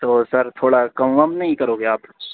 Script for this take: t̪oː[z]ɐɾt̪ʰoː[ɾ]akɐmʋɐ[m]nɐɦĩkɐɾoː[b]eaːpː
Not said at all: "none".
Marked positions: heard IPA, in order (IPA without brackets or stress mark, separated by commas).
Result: s, ɽ, m, ɡ